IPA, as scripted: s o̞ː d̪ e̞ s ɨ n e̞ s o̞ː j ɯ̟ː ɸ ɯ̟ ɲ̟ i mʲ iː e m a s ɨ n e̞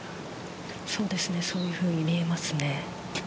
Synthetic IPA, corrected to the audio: s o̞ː d̪ e̞ s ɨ n e̞ s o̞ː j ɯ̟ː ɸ ɯ̟ː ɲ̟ i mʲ i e m a s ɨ n e̞